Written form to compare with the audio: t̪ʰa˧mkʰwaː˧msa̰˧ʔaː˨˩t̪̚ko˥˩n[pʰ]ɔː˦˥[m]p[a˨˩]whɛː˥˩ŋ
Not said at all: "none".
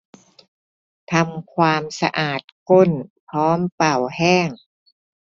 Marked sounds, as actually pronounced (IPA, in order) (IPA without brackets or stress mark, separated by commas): pʰ, m, a˨˩